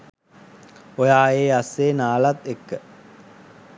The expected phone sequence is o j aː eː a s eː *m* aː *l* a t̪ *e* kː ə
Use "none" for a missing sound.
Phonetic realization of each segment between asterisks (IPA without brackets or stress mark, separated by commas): n, l, e